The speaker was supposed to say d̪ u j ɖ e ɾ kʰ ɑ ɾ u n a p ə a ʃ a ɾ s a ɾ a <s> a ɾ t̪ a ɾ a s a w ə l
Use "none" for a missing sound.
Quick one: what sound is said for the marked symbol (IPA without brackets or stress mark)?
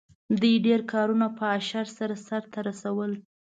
s